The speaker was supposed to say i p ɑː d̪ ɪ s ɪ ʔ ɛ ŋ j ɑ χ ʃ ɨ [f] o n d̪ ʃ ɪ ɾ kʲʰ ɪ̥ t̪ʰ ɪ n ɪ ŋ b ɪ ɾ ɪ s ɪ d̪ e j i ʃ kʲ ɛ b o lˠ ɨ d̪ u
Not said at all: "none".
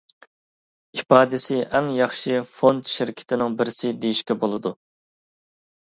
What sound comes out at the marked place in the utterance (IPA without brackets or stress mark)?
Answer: f